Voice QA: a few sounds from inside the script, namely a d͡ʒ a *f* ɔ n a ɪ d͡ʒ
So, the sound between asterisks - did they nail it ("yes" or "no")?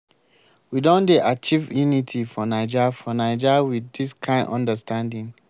yes